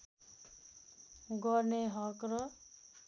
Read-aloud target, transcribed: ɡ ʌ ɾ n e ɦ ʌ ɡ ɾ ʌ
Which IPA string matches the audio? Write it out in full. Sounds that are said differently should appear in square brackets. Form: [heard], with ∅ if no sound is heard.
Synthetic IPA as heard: ɡ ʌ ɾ n e ɦ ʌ [k] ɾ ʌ

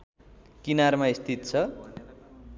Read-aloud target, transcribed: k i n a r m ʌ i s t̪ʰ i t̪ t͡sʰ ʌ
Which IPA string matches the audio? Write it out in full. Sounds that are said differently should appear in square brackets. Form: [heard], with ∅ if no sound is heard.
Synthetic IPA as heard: k i n a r m [a] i s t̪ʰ i t̪ t͡sʰ ʌ

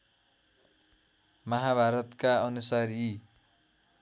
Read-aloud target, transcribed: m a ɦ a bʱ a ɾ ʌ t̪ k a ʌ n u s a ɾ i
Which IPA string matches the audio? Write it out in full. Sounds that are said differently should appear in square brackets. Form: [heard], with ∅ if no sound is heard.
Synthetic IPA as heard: m [ʌ] ɦ a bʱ a ɾ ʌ t̪ k a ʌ n u s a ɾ i

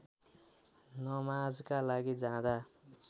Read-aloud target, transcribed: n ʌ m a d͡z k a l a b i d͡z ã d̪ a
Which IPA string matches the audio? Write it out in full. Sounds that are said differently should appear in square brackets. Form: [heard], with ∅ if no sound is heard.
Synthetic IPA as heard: n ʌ m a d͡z k a l a [ɡ] i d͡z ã d̪ a

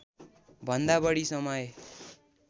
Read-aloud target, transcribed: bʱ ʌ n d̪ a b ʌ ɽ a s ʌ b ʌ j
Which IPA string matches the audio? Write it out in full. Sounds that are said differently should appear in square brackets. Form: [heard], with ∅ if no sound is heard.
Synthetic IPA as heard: bʱ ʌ n d̪ a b ʌ ɽ [i] s ʌ [m] ʌ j

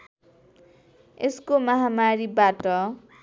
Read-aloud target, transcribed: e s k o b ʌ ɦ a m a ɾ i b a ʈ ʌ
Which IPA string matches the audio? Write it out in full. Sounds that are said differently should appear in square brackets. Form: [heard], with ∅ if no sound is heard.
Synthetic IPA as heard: e s k o [m] ʌ ɦ a m a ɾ i b a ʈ ʌ

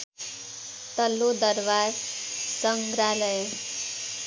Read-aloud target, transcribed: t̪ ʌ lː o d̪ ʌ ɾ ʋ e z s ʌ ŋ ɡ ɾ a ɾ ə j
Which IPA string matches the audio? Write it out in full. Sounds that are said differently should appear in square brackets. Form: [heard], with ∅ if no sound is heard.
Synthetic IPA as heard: t̪ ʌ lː o d̪ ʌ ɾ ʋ [a] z s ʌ ŋ ɡ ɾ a [l] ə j

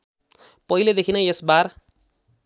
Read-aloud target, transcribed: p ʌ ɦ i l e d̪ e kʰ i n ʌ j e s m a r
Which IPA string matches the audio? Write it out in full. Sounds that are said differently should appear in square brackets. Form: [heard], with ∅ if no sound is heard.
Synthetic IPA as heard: p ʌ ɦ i l e d̪ e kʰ i n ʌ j e s [b] a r

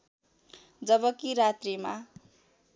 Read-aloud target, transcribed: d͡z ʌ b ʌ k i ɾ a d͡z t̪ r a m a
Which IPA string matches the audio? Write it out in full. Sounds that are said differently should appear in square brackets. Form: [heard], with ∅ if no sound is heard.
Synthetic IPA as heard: d͡z ʌ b ʌ k i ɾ a [∅] t̪ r [i] m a

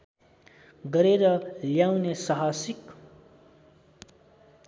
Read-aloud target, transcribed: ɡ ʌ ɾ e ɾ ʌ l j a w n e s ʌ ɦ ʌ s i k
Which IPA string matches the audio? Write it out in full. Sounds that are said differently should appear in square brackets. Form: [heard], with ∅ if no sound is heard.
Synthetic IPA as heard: ɡ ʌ ɾ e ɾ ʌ l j a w n e s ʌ ɦ [a] s i k

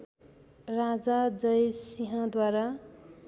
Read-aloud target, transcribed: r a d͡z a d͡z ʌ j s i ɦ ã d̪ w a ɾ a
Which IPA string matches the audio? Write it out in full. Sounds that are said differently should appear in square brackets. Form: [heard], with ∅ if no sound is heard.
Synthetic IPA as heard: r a d͡z a d͡z ʌ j s i ɦ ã d̪ w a ɾ a

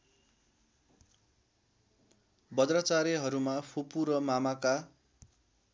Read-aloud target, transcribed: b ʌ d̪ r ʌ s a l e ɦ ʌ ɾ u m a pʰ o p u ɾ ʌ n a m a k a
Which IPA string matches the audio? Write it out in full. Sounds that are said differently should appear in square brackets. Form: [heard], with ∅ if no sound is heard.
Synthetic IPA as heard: b ʌ d̪ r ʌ [t͡s] a [ɾ] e ɦ ʌ ɾ u m a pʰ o p u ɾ ʌ [m] a m a k a

